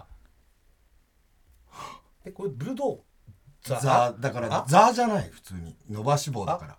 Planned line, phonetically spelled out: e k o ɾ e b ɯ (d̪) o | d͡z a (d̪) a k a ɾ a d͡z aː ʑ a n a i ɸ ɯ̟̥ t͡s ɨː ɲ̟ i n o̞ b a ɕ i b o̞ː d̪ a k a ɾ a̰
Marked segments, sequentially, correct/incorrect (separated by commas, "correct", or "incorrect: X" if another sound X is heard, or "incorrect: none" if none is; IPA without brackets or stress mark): correct, correct